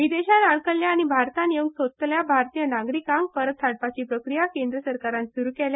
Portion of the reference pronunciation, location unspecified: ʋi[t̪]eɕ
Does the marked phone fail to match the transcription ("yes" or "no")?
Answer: yes